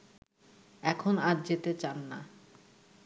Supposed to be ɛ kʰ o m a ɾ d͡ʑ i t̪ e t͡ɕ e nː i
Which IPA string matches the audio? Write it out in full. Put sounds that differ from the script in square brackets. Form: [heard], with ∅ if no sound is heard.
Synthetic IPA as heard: ɛ kʰ o [n] a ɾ d͡ʑ [e] t̪ e t͡ɕ [a] nː [a]